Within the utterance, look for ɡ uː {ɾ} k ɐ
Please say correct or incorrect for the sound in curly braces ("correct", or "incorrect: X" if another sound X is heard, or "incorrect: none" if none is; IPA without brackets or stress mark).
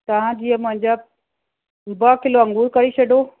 correct